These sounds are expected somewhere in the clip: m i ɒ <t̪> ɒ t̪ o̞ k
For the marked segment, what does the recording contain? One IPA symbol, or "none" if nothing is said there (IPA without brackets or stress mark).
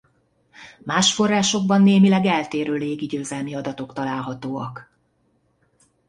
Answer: d̪